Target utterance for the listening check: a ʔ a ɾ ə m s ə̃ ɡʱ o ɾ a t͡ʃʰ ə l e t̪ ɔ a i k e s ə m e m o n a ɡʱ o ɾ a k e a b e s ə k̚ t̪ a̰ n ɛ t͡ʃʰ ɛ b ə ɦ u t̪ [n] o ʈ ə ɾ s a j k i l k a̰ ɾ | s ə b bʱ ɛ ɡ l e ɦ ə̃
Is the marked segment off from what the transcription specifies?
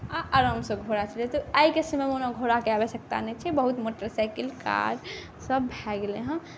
yes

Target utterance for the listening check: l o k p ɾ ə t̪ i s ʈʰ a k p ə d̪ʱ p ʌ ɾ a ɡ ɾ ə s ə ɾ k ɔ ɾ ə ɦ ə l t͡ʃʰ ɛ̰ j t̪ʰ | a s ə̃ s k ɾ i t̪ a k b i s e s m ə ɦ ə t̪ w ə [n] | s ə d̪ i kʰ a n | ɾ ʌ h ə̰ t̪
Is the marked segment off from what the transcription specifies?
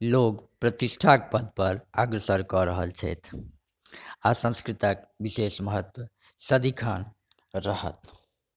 yes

